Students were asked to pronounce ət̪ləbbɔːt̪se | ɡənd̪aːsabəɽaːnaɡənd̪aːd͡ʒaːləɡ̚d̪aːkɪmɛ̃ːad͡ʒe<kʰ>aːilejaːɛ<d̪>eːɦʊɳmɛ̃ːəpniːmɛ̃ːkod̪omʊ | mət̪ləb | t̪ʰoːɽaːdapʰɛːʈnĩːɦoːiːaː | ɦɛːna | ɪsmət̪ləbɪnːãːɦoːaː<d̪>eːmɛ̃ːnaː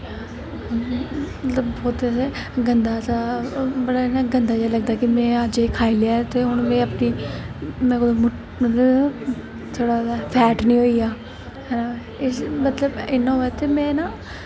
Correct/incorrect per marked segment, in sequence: correct, incorrect: t̪, incorrect: t̪

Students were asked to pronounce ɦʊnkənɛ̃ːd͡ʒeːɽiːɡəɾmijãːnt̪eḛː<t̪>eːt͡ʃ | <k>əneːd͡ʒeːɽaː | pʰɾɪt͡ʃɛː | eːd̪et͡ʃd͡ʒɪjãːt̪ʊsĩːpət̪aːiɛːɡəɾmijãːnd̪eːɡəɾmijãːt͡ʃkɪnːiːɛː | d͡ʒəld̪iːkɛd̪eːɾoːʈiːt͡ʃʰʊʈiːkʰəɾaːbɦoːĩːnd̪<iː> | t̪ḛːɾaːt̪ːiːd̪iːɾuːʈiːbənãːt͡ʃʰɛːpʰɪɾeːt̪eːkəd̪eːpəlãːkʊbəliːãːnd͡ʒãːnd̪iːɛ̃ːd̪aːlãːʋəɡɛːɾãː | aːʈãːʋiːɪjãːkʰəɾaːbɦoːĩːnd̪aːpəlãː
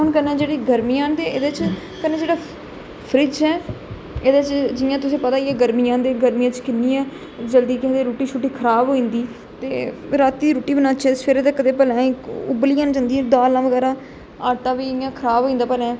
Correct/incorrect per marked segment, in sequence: incorrect: d̪, correct, correct

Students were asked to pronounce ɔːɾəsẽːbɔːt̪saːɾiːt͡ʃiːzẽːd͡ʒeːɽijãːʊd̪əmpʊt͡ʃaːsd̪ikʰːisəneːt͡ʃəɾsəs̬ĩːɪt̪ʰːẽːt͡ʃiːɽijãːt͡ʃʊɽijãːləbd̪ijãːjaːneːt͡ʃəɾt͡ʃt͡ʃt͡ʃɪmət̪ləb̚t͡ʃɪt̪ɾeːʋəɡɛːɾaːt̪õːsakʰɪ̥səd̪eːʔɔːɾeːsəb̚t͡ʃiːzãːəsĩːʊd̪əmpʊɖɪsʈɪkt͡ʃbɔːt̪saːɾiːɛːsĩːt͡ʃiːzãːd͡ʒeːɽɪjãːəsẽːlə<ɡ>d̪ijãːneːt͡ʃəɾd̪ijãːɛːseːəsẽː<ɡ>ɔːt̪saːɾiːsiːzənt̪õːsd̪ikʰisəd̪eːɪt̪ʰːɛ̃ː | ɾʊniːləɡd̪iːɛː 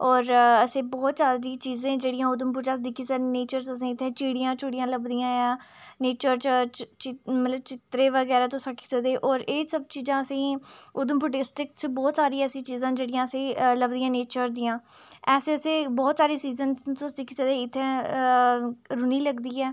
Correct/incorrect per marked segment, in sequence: incorrect: b, incorrect: b

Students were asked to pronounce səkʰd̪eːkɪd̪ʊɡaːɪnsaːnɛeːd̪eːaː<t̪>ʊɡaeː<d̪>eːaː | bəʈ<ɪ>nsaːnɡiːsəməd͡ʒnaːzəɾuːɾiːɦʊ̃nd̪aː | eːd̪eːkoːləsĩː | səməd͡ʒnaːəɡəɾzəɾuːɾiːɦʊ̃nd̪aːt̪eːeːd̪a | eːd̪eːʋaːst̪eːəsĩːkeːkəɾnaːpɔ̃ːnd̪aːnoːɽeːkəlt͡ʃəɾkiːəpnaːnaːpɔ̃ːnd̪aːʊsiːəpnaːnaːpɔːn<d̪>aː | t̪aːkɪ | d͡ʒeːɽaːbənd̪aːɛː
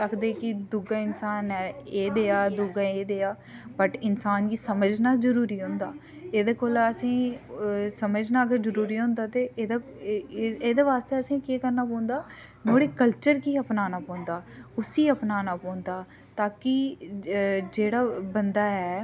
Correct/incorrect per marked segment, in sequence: incorrect: d̪, correct, correct, correct

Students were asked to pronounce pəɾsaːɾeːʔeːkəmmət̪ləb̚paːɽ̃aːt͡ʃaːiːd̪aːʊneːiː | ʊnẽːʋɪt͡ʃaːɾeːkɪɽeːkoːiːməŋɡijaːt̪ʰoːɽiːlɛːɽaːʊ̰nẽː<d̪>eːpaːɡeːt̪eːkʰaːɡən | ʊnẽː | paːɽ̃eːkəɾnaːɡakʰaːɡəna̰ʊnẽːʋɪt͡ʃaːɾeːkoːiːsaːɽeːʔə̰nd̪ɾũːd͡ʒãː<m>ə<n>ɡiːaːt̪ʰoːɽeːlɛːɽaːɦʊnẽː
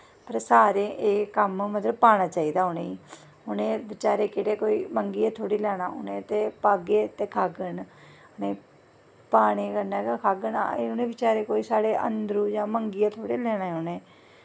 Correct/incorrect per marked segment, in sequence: incorrect: t̪, correct, incorrect: ŋ

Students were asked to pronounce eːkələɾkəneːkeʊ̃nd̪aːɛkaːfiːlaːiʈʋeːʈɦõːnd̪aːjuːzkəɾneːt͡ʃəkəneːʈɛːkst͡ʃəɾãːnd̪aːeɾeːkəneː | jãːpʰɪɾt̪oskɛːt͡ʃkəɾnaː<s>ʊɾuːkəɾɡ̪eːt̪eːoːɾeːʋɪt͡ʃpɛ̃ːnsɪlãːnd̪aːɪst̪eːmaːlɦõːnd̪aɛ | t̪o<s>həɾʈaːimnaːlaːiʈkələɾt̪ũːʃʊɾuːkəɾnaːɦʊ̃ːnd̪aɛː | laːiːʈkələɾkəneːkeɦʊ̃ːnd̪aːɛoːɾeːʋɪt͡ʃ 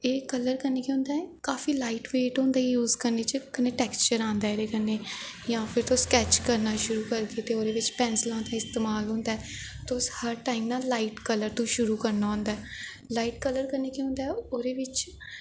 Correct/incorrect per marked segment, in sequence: incorrect: ʃ, correct

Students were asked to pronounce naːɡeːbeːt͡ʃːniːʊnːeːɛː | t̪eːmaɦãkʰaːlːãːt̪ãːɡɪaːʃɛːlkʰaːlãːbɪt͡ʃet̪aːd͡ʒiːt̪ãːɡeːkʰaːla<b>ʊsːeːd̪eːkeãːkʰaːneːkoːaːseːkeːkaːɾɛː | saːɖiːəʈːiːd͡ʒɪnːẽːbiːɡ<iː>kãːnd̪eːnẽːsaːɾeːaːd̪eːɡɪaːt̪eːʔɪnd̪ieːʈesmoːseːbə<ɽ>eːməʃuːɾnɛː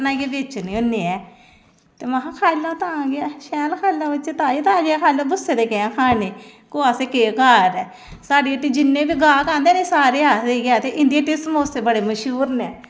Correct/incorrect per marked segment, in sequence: correct, incorrect: aː, correct

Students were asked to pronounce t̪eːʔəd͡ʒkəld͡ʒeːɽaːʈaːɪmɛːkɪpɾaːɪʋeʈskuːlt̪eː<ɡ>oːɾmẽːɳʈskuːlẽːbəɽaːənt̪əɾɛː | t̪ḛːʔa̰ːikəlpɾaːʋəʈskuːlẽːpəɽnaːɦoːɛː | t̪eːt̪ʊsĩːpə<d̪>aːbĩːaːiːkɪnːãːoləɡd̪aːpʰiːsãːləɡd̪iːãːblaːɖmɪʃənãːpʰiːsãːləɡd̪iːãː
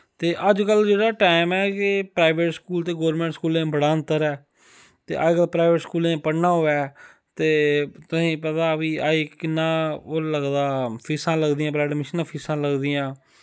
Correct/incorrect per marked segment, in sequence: correct, incorrect: t̪

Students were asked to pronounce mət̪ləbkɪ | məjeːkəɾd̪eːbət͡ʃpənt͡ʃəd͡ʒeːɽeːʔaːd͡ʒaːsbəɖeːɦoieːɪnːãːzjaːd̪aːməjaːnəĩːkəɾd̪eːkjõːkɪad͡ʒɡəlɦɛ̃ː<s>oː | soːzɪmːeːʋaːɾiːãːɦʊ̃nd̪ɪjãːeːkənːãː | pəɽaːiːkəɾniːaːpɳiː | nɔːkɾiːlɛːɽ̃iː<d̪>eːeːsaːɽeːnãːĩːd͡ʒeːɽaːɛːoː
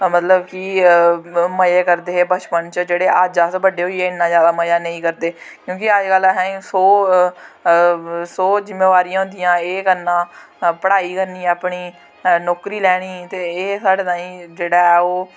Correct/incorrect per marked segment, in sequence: correct, incorrect: t̪

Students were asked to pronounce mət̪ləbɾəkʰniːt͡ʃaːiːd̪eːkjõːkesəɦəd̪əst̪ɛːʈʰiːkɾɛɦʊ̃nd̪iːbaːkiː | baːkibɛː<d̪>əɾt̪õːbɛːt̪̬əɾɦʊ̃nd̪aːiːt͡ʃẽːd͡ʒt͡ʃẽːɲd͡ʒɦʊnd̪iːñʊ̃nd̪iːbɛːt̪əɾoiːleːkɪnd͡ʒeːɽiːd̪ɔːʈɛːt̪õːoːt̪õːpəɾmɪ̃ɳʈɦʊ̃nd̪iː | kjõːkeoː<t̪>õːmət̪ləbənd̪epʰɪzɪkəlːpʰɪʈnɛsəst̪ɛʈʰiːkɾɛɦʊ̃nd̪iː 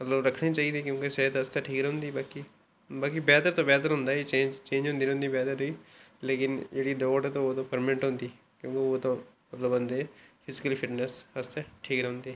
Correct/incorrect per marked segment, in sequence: incorrect: t̪, correct

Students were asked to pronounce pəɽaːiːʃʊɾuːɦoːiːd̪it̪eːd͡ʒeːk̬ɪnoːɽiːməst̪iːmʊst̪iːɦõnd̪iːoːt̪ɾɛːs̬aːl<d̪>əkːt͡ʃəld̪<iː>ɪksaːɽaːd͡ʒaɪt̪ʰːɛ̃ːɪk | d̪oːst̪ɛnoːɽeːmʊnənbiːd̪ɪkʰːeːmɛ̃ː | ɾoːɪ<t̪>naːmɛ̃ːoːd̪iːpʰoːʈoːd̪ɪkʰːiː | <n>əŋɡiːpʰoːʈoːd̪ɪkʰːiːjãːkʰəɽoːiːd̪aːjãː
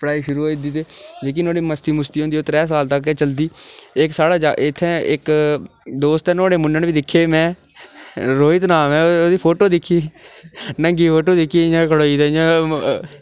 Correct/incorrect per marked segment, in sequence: incorrect: t̪, correct, correct, correct

